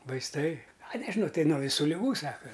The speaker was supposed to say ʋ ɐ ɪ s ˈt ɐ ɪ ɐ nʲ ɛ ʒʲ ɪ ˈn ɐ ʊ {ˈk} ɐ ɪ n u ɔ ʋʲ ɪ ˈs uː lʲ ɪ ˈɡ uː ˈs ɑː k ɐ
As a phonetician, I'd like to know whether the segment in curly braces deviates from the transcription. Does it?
yes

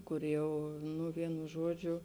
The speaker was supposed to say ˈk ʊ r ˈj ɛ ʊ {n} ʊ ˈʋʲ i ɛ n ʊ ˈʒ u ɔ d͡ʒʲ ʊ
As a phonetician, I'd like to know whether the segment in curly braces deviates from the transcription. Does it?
no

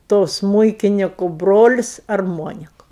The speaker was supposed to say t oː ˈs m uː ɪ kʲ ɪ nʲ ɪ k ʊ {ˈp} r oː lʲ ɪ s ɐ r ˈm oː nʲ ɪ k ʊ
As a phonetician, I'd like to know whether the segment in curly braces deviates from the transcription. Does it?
yes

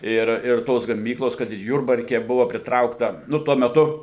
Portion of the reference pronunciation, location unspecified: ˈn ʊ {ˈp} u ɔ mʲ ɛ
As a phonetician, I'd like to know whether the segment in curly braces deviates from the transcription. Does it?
yes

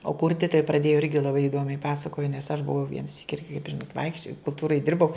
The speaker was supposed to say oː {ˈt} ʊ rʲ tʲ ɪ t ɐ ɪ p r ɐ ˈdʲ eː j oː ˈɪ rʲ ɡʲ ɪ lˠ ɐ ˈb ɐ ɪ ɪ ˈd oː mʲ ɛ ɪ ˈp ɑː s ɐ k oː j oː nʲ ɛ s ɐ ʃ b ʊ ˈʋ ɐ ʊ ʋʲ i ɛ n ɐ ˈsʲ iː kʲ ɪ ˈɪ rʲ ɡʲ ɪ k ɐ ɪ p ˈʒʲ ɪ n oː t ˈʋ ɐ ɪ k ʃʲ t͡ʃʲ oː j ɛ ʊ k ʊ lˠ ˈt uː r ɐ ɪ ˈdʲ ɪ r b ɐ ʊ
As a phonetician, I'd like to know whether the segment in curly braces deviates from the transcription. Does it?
yes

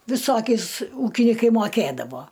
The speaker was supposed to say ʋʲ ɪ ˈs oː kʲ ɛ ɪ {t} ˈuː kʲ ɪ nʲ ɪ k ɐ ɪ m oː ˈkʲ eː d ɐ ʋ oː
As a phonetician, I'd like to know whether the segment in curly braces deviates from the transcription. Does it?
yes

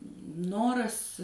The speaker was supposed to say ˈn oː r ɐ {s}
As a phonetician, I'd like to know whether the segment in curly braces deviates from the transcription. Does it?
no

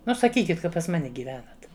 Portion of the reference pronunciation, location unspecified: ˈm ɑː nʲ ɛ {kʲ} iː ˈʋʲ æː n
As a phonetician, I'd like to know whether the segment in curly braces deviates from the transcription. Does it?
yes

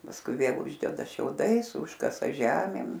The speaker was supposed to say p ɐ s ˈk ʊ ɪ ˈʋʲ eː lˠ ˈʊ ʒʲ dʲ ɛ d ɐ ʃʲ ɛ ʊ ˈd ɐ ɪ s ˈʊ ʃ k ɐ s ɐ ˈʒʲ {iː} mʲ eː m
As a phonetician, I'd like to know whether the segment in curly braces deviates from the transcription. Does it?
yes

